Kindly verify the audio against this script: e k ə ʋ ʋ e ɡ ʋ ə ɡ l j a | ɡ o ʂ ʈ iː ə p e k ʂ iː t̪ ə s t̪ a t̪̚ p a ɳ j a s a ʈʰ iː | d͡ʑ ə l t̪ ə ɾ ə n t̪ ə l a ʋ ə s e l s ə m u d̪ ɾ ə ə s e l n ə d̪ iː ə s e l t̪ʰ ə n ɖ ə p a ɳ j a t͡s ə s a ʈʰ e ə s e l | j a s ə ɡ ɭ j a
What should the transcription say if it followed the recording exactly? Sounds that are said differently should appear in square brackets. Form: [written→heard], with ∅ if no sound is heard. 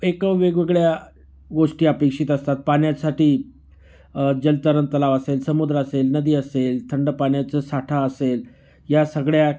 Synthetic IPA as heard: e k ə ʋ ʋ e ɡ ʋ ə ɡ [l→ɭ] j a | ɡ o ʂ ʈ iː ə p e k ʂ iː t̪ ə s t̪ a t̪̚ p a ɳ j a s a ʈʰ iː | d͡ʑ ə l t̪ ə ɾ ə n t̪ ə l a ʋ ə s e l s ə m u d̪ ɾ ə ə s e l n ə d̪ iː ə s e l t̪ʰ ə [n→ɳ] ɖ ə p a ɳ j a t͡s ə s a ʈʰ [e→a] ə s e l | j a s ə ɡ ɭ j a

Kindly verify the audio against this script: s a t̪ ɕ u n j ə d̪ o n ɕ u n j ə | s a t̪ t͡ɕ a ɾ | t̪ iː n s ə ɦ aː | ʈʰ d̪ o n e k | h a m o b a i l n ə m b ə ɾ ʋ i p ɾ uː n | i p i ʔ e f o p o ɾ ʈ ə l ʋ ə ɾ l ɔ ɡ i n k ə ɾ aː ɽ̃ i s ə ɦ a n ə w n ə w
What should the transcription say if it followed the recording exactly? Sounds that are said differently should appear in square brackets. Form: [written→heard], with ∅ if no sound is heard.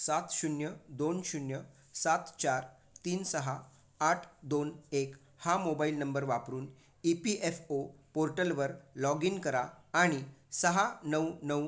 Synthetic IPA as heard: s a t̪ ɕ u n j ə d̪ o n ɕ u n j ə | s a t̪ t͡ɕ a ɾ | t̪ iː n s ə ɦ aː | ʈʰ d̪ o n e k | h a m o b a i l n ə m b ə ɾ ʋ [i→a] p ɾ uː n | i p i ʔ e f o p o ɾ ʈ ə l ʋ ə ɾ l ɔ ɡ i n k ə ɾ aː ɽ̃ i s ə ɦ a n ə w n ə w

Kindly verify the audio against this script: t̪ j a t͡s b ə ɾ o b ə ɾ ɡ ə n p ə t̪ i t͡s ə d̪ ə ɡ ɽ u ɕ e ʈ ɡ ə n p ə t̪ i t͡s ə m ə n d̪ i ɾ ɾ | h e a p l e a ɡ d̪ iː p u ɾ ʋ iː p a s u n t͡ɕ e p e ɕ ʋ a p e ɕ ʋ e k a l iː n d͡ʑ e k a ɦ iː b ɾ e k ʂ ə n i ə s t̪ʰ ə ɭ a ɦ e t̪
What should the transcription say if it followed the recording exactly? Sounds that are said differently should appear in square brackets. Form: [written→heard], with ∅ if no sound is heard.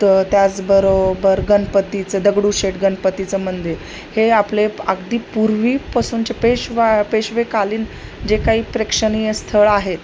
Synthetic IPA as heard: t̪ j a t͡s b ə ɾ o b ə ɾ ɡ ə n p ə t̪ i t͡s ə d̪ ə ɡ ɽ u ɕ e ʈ ɡ ə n p ə t̪ i t͡s ə m ə n d̪ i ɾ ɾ | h e a p l e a ɡ d̪ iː p u ɾ ʋ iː p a s [u→uː] n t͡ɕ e p e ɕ ʋ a p e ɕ ʋ e k a l iː n d͡ʑ e k a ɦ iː [b→p] ɾ e k ʂ ə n i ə s t̪ʰ ə ɭ a ɦ e t̪

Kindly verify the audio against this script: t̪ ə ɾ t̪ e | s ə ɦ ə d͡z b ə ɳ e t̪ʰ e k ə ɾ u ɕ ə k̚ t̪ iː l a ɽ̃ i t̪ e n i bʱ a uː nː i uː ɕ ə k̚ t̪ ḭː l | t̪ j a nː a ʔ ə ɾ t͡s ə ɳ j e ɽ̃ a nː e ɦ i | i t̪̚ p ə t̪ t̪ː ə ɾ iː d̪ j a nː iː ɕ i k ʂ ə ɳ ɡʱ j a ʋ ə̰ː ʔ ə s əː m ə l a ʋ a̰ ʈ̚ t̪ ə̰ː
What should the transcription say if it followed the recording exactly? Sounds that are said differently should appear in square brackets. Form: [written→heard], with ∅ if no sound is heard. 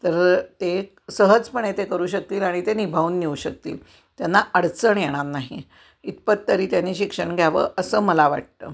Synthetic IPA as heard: t̪ ə ɾ t̪ e | s ə ɦ ə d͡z [b→p] ə ɳ e [t̪ʰ→t̪] e k ə ɾ [u→uː] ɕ ə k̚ t̪ iː l a ɽ̃ i t̪ e n i bʱ a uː nː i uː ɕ ə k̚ t̪ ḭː l | t̪ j a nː a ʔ ə [ɾ→ɽ] t͡s ə ɳ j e ɽ̃ a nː [e→a] ɦ i | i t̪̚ p ə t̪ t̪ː ə ɾ iː [d̪→t̪] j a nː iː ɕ i k ʂ ə ɳ ɡʱ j a ʋ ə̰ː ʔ ə s əː m ə l a ʋ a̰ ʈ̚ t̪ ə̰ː

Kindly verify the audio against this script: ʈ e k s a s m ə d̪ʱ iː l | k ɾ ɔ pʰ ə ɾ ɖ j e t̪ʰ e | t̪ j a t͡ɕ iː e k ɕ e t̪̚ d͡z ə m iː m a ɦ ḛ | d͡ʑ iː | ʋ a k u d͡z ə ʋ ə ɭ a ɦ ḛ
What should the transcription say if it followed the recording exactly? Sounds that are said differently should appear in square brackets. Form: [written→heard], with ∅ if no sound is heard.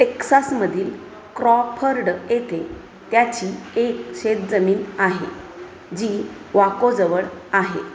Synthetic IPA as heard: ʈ e k s a s m ə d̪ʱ iː l | k ɾ ɔ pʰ ə ɾ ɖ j e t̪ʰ e | t̪ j a t͡ɕ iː e k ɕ e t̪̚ d͡z ə m iː [m→n] a ɦ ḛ | d͡ʑ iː | ʋ a k [u→o] d͡z ə ʋ ə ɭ a ɦ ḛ

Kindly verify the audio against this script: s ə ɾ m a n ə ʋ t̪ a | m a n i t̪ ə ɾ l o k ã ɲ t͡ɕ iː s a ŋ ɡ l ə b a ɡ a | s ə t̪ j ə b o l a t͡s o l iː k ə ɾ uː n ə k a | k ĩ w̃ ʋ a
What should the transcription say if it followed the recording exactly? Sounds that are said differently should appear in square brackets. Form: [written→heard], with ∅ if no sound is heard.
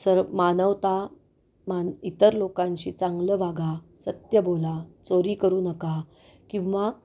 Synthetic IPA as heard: s ə ɾ m a n ə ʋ t̪ a | m a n i t̪ ə ɾ l o k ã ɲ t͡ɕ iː [s→t͡s] a ŋ ɡ l ə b a ɡ a | s ə t̪ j ə b o l a t͡s o [l→ɾ] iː k ə ɾ uː n ə k a | k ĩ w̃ ʋ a

